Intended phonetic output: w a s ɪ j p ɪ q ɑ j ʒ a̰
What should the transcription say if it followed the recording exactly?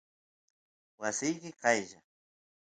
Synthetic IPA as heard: w a s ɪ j k ɪ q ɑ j ʒ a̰